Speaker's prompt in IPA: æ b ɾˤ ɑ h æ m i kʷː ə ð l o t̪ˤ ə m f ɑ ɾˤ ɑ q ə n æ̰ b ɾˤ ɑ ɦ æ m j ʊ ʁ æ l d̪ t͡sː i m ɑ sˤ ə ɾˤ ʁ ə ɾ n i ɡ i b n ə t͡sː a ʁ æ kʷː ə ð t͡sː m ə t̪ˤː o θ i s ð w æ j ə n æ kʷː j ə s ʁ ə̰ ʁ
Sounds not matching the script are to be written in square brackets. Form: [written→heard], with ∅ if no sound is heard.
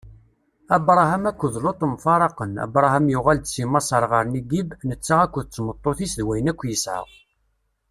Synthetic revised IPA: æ b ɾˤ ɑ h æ m [i→æ] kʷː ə ð l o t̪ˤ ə m f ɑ ɾˤ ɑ q ə n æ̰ b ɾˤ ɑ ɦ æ m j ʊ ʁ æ l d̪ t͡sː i m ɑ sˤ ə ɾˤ ʁ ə ɾ n i ɡ i b n ə t͡sː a ʁ æ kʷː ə ð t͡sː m ə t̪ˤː o θ i s ð w æ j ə n æ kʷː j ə s [ʁ→ʕ] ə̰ ʁ